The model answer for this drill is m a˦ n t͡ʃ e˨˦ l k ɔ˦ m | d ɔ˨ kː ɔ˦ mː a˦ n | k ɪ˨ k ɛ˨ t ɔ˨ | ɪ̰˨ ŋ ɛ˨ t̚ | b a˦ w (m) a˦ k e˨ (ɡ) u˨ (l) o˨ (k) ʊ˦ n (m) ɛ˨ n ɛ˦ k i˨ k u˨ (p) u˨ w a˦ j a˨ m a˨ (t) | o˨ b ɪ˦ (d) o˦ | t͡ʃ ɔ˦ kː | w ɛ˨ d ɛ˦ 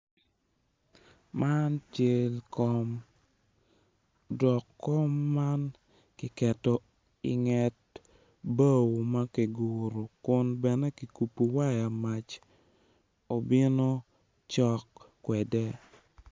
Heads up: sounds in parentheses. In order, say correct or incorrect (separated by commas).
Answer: correct, correct, incorrect, correct, incorrect, correct, incorrect, incorrect